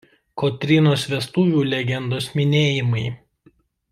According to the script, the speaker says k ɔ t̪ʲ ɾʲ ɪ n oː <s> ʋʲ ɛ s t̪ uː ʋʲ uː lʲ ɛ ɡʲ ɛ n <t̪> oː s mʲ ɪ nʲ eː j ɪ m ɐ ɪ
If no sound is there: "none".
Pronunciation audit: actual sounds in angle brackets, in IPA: s, d̪

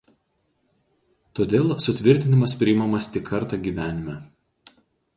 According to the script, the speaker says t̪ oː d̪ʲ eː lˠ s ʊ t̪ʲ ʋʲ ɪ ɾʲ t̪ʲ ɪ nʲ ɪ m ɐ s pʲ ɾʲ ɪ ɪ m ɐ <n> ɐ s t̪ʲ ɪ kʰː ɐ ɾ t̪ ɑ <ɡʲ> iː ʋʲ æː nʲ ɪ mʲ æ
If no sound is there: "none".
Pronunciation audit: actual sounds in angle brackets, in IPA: m, ɡʲ

